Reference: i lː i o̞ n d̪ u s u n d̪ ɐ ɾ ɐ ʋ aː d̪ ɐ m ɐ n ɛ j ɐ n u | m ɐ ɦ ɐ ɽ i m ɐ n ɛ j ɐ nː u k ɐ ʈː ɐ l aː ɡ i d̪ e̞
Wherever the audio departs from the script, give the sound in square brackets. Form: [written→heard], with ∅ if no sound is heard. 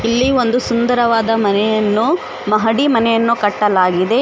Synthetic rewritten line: i lː i o̞ n d̪ u s u n d̪ ɐ ɾ ɐ ʋ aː d̪ ɐ m ɐ n ɛ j ɐ [n→nː] u | m ɐ ɦ ɐ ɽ i m ɐ n ɛ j ɐ nː u k ɐ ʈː ɐ l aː ɡ i d̪ e̞